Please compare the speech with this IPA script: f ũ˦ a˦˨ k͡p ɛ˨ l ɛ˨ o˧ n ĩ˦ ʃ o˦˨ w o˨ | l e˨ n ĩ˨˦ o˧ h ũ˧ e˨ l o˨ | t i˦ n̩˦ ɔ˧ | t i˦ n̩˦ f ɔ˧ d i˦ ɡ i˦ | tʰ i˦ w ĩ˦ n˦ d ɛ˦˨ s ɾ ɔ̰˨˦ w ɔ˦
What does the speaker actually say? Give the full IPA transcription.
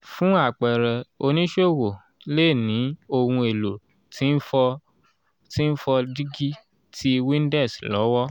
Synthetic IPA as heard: f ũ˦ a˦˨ k͡p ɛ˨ ɾ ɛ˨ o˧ n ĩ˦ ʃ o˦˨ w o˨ | l e˦˨ n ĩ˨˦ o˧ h ũ˧ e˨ l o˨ | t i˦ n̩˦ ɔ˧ | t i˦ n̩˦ f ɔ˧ d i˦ ɡ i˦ | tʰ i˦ w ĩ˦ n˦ d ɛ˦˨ s l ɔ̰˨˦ w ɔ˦